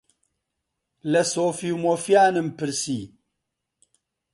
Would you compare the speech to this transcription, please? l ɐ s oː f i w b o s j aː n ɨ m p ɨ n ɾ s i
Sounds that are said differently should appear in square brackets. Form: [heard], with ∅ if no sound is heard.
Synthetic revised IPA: l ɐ s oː f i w [m] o [f] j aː n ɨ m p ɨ [∅] ɾ s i